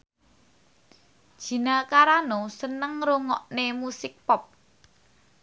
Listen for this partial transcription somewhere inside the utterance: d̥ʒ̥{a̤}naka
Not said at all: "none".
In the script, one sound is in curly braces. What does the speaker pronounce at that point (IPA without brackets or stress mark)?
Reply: i̤